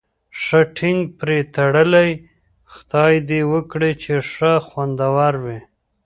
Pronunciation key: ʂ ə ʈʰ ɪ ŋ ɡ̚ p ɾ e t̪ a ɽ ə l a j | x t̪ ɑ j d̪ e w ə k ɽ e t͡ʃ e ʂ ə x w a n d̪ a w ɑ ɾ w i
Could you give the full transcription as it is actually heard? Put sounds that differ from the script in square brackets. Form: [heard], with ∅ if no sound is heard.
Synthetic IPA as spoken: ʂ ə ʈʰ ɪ ŋ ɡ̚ p ɾ e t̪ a ɽ ə l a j | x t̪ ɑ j d̪ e w ə k ɽ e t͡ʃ e ʂ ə x w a n d̪ a w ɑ ɾ w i